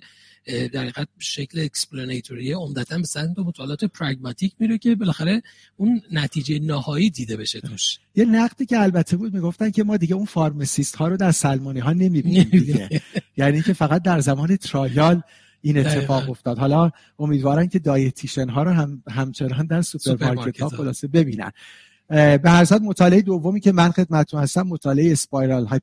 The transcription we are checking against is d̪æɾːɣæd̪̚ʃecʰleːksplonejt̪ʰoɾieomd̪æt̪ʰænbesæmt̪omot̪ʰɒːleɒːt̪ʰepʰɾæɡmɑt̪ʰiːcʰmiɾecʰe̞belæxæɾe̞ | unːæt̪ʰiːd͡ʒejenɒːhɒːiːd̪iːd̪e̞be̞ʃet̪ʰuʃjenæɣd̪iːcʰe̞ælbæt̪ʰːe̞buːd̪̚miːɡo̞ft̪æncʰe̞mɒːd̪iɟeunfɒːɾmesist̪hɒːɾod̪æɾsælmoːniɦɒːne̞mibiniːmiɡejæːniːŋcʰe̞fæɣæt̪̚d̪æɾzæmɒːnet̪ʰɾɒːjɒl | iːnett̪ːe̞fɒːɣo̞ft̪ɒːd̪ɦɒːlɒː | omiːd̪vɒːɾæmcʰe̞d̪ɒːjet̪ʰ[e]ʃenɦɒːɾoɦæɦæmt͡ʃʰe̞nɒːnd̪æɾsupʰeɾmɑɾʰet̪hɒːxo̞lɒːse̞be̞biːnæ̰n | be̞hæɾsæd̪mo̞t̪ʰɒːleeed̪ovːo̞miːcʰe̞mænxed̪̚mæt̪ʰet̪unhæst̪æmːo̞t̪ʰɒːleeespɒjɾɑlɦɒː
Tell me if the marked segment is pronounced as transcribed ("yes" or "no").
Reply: no